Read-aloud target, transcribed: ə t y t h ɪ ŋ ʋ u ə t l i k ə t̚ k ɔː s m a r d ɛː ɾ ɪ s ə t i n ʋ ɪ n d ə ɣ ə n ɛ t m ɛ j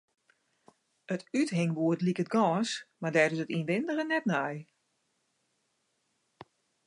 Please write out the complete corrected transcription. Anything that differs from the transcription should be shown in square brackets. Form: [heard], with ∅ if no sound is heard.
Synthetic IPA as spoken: ə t y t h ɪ ŋ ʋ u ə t l i k ə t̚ [ɡ] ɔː s m a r d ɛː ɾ ɪ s ə t i n ʋ ɪ n d ə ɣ ə n ɛ t [n] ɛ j